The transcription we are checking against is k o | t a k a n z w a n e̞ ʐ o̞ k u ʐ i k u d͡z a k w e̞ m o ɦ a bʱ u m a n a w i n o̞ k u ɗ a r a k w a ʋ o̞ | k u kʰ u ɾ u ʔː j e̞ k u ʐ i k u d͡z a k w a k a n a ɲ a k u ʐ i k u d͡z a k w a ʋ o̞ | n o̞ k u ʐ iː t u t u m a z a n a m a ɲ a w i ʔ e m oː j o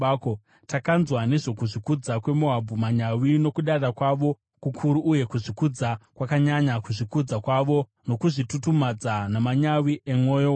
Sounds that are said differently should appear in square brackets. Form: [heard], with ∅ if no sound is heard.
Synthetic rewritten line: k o | t a k a n z w a n e̞ ʐ o̞ k u ʐ i k u d͡z a k w e̞ m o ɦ a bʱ u m a [ɲ] a w i n o̞ k u ɗ a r a k w a ʋ o̞ | k u kʰ u ɾ u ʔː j e̞ k u ʐ i k u d͡z a k w a k a [ɲ] a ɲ a k u ʐ i k u d͡z a k w a ʋ o̞ | n o̞ k u ʐ [i] t u t u m a [d͡z] a n a m a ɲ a w i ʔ e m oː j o